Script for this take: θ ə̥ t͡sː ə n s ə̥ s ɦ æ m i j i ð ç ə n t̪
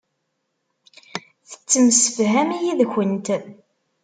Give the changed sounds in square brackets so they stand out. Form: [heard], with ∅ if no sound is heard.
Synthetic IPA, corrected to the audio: θ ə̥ t͡sː ə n s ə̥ [f] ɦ æ m i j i ð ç ə n t̪